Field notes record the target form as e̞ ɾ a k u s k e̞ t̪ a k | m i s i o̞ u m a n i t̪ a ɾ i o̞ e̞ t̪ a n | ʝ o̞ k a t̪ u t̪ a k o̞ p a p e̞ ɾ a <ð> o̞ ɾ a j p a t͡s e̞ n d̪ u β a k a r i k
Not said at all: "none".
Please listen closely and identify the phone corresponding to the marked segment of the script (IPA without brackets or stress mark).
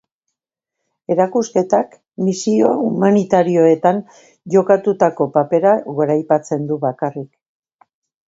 ɣ